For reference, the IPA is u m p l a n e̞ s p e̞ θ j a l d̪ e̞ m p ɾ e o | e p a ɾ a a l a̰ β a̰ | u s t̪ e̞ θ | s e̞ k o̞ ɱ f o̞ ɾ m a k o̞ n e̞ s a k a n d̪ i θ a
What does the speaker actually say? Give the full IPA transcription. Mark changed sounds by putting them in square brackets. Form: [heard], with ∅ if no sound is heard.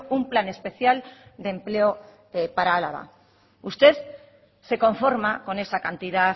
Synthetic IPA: u m p l a n e̞ s p e̞ θ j a l d̪ e̞ m p [l] e o | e p a ɾ a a l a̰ β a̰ | u s t̪ e̞ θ | s e̞ k o̞ ɱ f o̞ ɾ m a k o̞ n e̞ s a k a n [t̪] i [ð] a